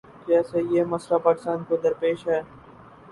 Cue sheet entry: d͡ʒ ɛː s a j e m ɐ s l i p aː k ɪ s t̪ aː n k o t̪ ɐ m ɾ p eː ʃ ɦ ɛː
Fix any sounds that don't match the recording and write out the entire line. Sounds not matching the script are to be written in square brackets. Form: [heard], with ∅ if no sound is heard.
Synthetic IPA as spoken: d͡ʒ ɛː s [e] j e m ɐ s l [a] p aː k ɪ s t̪ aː n k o [d̪] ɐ [∅] ɾ p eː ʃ ɦ ɛː